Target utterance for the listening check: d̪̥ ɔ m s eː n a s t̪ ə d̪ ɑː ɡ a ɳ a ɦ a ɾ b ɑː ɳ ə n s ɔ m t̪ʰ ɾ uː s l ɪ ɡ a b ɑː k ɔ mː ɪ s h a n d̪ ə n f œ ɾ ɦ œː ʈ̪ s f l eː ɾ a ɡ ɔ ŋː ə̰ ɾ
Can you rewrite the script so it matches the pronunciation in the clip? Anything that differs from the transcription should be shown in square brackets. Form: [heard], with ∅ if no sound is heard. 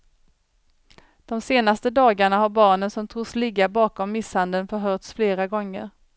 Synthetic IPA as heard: d̪̥ ɔ m s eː n a s t̪ ə d̪ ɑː ɡ a ɳ a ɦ a ɾ b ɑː ɳ ə n s ɔ m t̪ʰ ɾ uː s l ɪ ɡ a b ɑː k ɔ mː ɪ s h a n d̪ ə n f œ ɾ ɦ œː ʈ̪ s f l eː ɾ a ɡ ɔ ŋː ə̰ ɾ